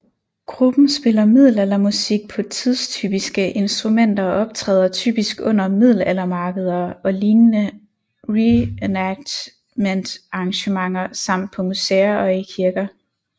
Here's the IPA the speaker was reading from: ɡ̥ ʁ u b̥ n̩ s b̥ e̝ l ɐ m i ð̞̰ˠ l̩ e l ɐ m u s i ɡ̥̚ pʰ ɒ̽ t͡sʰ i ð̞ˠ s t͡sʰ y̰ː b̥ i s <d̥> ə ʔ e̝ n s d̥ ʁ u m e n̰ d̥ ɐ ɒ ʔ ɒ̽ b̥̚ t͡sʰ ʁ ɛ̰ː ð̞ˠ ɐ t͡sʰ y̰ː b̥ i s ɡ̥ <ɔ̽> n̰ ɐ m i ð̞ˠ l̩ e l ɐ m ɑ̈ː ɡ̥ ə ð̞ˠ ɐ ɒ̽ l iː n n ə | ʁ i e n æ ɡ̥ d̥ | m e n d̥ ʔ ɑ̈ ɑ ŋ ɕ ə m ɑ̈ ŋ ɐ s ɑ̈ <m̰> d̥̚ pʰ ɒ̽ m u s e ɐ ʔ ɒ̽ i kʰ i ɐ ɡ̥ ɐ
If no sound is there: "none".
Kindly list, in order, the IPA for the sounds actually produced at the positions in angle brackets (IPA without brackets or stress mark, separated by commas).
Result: ɡ̥, ɔ̽, m̰